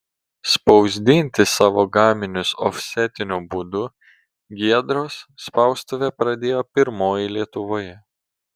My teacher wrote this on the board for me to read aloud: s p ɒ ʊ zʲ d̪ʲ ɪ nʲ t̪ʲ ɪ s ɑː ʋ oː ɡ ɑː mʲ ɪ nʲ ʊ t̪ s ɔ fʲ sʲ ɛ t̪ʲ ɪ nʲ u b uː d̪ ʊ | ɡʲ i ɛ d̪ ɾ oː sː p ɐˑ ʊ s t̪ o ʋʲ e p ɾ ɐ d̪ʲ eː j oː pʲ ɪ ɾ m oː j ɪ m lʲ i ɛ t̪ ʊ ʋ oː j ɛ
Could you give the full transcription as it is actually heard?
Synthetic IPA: s p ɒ ʊ zʲ d̪ʲ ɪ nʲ t̪ʲ ɪ s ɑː ʋ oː ɡ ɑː mʲ ɪ nʲ ʊ s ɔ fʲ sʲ ɛ t̪ʲ ɪ nʲ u b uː d̪ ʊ | ɡʲ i ɛ d̪ ɾ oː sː p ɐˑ ʊ s t̪ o ʋʲ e p ɾ ɐ d̪ʲ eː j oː pʲ ɪ ɾ m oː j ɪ lʲ i ɛ t̪ ʊ ʋ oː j ɛ

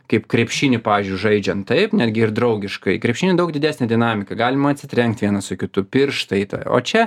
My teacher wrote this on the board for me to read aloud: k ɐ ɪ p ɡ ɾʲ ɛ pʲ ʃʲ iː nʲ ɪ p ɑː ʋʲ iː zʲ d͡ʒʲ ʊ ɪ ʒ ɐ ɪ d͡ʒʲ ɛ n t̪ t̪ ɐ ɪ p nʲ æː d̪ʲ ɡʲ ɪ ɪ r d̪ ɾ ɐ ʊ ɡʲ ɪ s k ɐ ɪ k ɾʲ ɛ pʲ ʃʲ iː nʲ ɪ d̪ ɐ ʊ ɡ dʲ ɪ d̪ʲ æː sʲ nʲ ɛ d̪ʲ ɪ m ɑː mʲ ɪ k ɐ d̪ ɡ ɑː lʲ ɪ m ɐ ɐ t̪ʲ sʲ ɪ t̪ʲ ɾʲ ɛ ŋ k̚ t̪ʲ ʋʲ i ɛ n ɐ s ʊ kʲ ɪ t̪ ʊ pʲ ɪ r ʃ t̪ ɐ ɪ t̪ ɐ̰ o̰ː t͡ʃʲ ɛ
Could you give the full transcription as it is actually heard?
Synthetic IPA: k ɐ ɪ p k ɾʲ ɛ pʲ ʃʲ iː nʲ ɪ p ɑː ʋʲ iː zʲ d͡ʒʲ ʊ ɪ ʒ ɐ ɪ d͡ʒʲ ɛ n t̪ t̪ ɐ ɪ p nʲ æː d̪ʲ ɡʲ ɪ ɪ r d̪ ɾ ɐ ʊ ɡʲ ɪ ʃ k ɐ ɪ k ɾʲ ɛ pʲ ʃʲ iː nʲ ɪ d̪ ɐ ʊ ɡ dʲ ɪ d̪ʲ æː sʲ nʲ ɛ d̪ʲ ɪ n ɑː mʲ ɪ k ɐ ɡ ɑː lʲ ɪ m ɐ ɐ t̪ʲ sʲ ɪ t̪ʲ ɾʲ ɛ ŋ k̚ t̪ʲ ʋʲ i ɛ n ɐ s ʊ kʲ ɪ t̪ ʊ pʲ ɪ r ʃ t̪ ɐ ɪ t̪ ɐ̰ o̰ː t͡ʃʲ ɛ

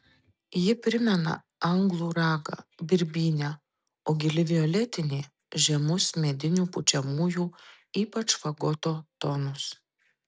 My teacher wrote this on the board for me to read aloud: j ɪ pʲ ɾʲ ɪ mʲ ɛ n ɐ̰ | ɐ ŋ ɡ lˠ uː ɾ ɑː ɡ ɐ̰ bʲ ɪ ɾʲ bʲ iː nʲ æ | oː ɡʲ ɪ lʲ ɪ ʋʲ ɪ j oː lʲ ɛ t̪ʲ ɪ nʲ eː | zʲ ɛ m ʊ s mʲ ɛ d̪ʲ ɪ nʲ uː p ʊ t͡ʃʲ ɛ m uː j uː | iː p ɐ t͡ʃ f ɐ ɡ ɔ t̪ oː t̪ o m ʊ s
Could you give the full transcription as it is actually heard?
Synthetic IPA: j ɪ pʲ ɾʲ ɪ mʲ ɛ n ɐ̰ | ɐ ŋ ɡ lˠ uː ɾ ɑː ɡ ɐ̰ bʲ ɪ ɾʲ bʲ iː nʲ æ | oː ɡʲ ɪ lʲ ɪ ʋʲ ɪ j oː lʲ ɛ t̪ʲ ɪ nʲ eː | ʒʲ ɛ m ʊ s mʲ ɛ d̪ʲ ɪ nʲ uː p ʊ t͡ʃʲ ɛ m uː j uː | iː p ɐ t͡ʃ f ɐ ɡ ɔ t̪ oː t̪ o n ʊ s

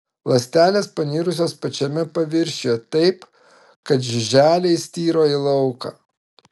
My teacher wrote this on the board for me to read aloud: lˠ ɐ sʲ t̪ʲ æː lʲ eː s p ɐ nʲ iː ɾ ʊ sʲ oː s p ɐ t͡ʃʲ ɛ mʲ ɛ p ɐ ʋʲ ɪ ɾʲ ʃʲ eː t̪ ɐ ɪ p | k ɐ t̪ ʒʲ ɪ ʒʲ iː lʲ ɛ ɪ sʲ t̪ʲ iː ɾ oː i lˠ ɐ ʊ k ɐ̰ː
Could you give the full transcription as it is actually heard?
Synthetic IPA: lˠ ɐ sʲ t̪ʲ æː lʲ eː s p ɐ nʲ iː ɾ ʊ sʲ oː s p ɐ t͡ʃʲ ɛ mʲ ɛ p ɐ ʋʲ ɪ ɾʲ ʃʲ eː t̪ ɐ ɪ p | k ɐ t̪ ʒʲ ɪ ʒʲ æː lʲ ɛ ɪ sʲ t̪ʲ iː ɾ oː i lˠ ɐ ʊ k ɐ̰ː

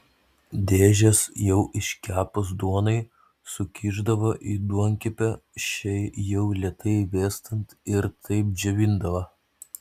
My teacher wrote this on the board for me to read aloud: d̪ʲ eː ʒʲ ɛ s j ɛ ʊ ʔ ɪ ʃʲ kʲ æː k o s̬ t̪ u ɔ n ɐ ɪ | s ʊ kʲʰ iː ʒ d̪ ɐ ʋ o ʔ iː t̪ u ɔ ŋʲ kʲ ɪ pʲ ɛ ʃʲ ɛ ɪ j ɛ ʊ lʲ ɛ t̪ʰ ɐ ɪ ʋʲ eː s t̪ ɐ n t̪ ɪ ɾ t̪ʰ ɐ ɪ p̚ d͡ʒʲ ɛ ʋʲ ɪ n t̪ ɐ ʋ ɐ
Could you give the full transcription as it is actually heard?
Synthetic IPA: d̪ʲ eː ʒʲ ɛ s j ɛ ʊ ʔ ɪ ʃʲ kʲ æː p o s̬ d̪ u ɔ n ɐ ɪ | s ʊ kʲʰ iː ʒ d̪ ɐ ʋ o ʔ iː d̪ u ɔ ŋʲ kʲ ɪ pʲ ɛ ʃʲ ɛ ɪ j ɛ ʊ lʲ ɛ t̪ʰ ɐ ɪ ʋʲ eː s t̪ ɐ n t̪ ɪ ɾ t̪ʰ ɐ ɪ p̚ d͡ʒʲ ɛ ʋʲ ɪ n d̪ ɐ ʋ ɐ

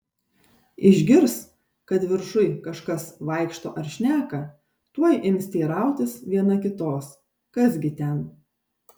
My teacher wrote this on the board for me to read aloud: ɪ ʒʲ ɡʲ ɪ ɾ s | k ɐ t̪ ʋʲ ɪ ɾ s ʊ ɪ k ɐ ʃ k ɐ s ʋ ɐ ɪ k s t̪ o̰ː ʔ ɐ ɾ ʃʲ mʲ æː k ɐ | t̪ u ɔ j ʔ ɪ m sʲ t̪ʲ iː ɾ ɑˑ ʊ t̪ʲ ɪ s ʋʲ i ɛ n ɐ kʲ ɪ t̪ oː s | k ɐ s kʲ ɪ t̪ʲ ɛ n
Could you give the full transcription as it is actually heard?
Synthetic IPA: ɪ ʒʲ ɡʲ ɪ ɾ s | k ɐ t̪ ʋʲ ɪ ɾ ʃ ʊ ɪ k ɐ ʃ k ɐ s ʋ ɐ ɪ k ʃ t̪ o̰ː ʔ ɐ ɾ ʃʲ nʲ æː k ɐ | t̪ u ɔ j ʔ ɪ m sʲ t̪ʲ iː ɾ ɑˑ ʊ t̪ʲ ɪ s ʋʲ i ɛ n ɐ kʲ ɪ t̪ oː s | k ɐ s ɡʲ ɪ t̪ʲ ɛ n

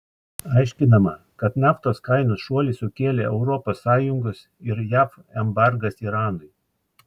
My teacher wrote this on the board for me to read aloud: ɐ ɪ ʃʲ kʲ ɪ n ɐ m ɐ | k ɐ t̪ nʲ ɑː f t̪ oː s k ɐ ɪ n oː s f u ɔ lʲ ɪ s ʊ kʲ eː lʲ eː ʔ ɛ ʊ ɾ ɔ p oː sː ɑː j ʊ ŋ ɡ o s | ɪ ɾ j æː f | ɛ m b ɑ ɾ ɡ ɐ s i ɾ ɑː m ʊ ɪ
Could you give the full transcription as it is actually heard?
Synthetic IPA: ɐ ɪ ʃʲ kʲ ɪ n ɐ m ɐ | k ɐ t̪ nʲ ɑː f t̪ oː s k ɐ ɪ n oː s ʃ u ɔ lʲ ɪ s ʊ kʲ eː lʲ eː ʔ ɛ ʊ ɾ ɔ p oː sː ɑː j ʊ ŋ ɡ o s | ɪ ɾ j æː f | ɛ m b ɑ ɾ ɡ ɐ s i ɾ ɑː n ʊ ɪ

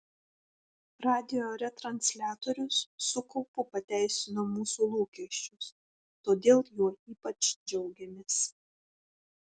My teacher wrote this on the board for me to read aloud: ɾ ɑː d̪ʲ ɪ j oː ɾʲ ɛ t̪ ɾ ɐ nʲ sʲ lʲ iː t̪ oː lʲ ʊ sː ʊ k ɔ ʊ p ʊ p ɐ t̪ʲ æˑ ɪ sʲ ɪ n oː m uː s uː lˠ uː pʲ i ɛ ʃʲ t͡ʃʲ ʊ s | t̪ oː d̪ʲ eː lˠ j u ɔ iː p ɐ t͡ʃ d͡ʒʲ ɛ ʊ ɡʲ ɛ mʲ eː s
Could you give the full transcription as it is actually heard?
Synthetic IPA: ɾ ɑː d̪ʲ ɪ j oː ɾʲ ɛ t̪ ɾ ɐ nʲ sʲ lʲ æː t̪ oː ɾʲ ʊ sː ʊ k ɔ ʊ p ʊ p ɐ t̪ʲ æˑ ɪ sʲ ɪ n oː m uː s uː lˠ uː kʲ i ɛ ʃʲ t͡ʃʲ ʊ s | t̪ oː d̪ʲ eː lˠ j u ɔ iː p ɐ t͡ʃ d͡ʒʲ ɛ ʊ ɡʲ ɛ mʲ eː s

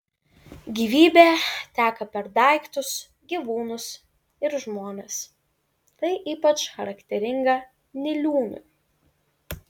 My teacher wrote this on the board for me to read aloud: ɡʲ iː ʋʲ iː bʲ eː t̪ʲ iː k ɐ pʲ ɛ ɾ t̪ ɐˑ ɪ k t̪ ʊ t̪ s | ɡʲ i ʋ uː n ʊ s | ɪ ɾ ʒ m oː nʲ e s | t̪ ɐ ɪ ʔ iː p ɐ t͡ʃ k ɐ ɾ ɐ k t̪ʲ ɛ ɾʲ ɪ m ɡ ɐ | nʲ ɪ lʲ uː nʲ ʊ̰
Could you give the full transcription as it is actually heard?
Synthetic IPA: ɡʲ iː ʋʲ iː bʲ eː t̪ʲ æː k ɐ pʲ ɛ ɾ d̪ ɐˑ ɪ k t̪ ʊ s | ɡʲ i ʋ uː n ʊ s | ɪ ɾ ʒ m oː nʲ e s | t̪ ɐ ɪ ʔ iː p ɐ t͡ʃ x ɐ ɾ ɐ k t̪ʲ ɛ ɾʲ ɪ ŋ ɡ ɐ | nʲ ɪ lʲ uː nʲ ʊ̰

